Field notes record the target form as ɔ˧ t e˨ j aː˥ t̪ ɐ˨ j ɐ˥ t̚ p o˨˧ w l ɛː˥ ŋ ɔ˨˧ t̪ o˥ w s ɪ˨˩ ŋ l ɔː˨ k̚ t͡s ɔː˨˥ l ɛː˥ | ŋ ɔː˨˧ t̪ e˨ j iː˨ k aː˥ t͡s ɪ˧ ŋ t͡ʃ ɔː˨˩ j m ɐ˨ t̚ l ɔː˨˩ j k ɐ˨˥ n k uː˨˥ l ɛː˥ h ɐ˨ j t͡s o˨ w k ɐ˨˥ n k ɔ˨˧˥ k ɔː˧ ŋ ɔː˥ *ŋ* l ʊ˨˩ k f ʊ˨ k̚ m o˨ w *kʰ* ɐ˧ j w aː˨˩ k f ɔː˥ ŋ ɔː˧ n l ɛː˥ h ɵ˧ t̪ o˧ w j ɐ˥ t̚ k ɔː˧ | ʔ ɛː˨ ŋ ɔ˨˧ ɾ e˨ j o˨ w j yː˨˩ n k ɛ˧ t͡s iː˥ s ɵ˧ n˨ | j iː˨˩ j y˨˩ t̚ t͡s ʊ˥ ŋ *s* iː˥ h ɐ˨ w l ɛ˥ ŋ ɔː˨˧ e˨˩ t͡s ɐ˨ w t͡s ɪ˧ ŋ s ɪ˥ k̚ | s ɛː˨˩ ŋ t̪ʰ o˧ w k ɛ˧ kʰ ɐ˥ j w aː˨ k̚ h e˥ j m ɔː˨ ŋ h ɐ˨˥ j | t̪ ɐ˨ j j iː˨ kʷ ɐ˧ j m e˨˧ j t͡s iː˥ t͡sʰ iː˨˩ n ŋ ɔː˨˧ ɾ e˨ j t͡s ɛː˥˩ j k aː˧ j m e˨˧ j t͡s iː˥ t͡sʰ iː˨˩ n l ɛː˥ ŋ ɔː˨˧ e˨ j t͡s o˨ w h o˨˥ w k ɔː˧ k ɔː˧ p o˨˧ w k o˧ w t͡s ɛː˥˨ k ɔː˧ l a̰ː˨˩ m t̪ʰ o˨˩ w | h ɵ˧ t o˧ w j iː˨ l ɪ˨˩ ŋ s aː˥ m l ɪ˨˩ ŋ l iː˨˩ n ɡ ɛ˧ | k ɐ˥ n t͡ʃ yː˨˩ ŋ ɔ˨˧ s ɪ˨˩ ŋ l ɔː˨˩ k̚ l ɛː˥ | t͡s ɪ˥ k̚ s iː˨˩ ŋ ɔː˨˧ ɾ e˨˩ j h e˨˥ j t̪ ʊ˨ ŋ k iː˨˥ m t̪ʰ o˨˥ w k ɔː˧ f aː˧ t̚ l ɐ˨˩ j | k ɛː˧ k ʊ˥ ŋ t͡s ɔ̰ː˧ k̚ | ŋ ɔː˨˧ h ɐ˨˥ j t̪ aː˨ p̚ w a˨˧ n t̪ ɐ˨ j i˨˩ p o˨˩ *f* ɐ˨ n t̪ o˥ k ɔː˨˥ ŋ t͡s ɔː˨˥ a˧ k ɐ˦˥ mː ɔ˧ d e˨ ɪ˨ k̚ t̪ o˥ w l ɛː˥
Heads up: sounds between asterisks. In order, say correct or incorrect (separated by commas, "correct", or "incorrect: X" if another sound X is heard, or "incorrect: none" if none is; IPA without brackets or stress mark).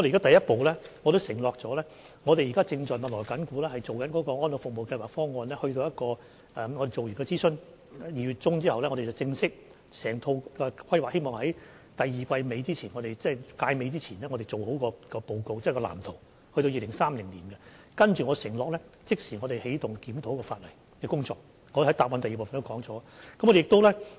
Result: incorrect: n, incorrect: k, incorrect: t͡s, correct